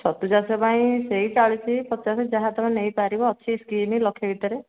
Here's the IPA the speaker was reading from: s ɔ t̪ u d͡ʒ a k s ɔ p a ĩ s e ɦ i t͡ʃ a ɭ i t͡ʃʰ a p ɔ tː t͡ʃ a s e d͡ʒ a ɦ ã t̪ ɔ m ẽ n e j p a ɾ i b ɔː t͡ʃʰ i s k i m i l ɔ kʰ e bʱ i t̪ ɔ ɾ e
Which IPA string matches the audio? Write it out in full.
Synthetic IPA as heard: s ɔ t̪ u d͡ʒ a s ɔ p a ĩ s e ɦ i t͡ʃ a ɭ i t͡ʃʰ i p ɔ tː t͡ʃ a s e d͡ʒ a ɦ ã t̪ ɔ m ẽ n e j p a ɾ i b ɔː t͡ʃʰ i s k i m i l ɔ kʰ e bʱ i t̪ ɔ ɾ e